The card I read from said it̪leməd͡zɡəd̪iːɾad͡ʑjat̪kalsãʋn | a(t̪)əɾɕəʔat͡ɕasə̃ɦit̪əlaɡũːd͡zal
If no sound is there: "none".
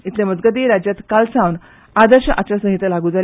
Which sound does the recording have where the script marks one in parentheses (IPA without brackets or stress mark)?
d̪